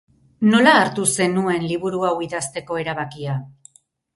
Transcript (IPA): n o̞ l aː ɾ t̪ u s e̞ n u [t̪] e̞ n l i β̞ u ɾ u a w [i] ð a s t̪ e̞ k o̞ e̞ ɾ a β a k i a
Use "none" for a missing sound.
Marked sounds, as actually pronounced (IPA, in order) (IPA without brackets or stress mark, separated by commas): none, i